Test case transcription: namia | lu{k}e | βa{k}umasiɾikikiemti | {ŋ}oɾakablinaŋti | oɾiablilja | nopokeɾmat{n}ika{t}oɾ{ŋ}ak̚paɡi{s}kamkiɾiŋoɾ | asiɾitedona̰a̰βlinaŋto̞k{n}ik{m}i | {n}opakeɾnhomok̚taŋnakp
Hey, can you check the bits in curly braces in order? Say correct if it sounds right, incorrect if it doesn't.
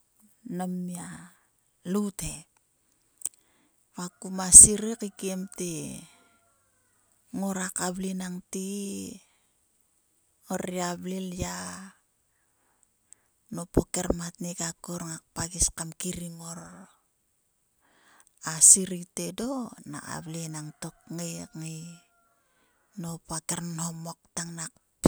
incorrect: t, correct, correct, correct, incorrect: k, correct, correct, incorrect: ŋ, incorrect: ŋ, correct

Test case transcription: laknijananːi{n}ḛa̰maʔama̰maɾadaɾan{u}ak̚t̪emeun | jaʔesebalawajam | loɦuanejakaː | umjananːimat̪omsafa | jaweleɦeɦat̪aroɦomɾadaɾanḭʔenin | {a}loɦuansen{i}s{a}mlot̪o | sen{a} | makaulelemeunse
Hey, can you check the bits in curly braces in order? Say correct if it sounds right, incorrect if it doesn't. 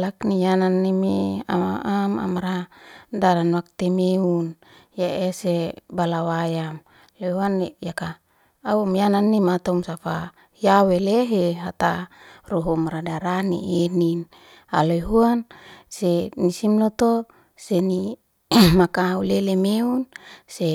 incorrect: m, incorrect: w, correct, correct, incorrect: i, incorrect: i

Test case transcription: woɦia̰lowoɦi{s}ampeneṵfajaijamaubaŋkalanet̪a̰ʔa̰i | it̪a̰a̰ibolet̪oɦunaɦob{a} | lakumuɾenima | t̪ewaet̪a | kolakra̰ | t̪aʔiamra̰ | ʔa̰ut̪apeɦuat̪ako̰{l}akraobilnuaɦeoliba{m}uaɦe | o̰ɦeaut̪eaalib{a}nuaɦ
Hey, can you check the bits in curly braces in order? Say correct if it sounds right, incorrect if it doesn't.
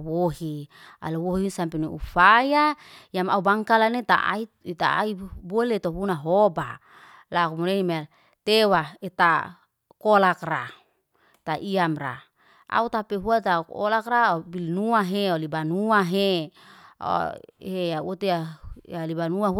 correct, correct, correct, incorrect: n, correct

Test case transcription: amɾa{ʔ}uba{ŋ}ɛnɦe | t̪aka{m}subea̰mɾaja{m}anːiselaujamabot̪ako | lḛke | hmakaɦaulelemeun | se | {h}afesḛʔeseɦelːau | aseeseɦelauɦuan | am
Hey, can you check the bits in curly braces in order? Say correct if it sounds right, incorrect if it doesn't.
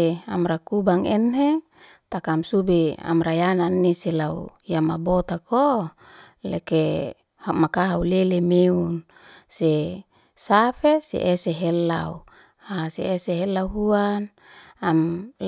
incorrect: k, correct, correct, incorrect: n, incorrect: s

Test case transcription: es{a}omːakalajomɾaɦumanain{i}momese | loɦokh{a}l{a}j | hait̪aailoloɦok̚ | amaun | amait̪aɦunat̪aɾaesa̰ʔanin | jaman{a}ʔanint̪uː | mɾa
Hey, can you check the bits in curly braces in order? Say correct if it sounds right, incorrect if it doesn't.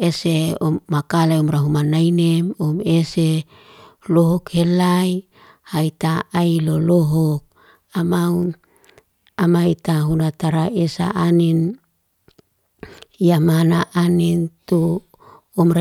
incorrect: e, incorrect: e, incorrect: e, correct, correct

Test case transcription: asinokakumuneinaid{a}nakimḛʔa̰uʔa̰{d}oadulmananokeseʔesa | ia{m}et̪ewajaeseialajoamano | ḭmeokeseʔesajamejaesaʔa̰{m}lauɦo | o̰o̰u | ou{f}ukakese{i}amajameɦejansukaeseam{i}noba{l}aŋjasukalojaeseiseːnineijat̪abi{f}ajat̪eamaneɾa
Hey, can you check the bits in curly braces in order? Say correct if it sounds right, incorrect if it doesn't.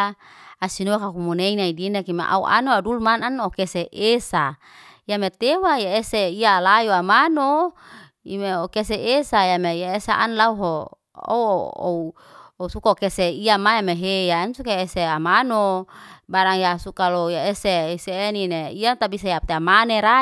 incorrect: i, incorrect: n, correct, incorrect: n, incorrect: s, correct, incorrect: a, incorrect: ɾ, incorrect: s

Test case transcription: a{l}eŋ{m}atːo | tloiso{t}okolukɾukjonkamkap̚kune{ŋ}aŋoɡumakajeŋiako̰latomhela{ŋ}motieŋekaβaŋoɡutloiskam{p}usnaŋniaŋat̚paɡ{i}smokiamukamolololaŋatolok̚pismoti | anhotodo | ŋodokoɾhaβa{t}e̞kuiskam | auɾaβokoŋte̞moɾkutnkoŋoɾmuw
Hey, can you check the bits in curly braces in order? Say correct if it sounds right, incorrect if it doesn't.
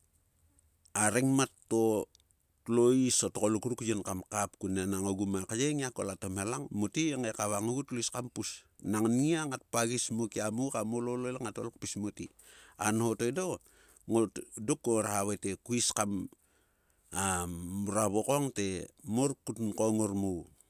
incorrect: ɾ, correct, correct, incorrect: n, correct, correct, correct, correct

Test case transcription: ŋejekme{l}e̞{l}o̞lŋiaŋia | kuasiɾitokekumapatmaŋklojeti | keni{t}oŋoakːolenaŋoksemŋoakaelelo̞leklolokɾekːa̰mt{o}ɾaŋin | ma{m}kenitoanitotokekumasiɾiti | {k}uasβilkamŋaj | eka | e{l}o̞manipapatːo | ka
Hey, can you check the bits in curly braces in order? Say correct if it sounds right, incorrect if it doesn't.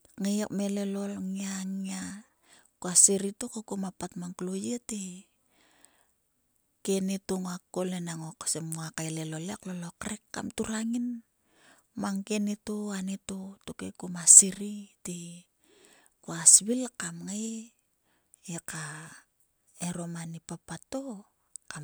correct, correct, correct, incorrect: u, incorrect: ŋ, correct, incorrect: ɾ

